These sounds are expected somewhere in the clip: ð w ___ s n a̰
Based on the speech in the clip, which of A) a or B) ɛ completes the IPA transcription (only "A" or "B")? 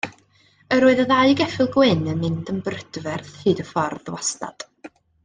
A